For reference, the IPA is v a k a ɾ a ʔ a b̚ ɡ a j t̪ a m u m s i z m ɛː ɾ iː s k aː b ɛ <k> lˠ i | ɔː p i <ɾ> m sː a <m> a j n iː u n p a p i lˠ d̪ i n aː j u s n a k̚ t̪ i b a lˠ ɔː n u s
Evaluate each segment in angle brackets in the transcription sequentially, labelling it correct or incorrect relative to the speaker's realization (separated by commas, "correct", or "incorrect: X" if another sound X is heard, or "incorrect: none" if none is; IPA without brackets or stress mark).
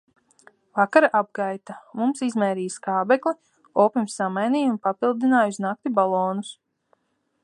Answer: correct, incorrect: none, correct